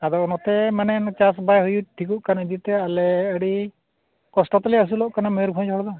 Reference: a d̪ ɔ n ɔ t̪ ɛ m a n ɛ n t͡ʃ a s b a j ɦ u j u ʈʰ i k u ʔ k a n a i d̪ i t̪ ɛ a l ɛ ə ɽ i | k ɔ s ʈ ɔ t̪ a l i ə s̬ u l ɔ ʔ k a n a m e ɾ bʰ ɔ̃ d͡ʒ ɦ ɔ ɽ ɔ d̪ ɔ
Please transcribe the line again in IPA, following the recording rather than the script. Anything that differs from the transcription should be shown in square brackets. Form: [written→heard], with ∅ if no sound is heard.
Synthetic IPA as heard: a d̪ ɔ n ɔ t̪ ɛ m a n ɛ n t͡ʃ a s b a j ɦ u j u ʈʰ i k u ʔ k a n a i d̪ i t̪ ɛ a l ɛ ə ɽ i | k ɔ s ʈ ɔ t̪ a l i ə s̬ u l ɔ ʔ k a n a m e ɾ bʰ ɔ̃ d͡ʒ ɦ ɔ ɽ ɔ d̪ ɔ